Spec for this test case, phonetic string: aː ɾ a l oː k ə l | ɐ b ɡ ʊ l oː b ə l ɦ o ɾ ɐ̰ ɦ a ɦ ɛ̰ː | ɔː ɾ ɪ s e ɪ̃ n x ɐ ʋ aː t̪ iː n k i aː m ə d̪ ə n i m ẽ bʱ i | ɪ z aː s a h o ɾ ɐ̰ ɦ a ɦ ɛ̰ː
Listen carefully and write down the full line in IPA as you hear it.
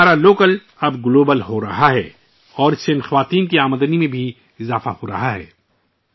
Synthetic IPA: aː ɾ a l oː k ə l | ɐ b ɡ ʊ l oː b ə l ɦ o ɾ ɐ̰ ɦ a ɦ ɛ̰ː | ɔː ɾ ɪ s e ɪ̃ n x ɐ ʋ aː t̪ iː n k i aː m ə d̪ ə n i m ẽ bʱ i | ɪ z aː f a h o ɾ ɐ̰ ɦ a ɦ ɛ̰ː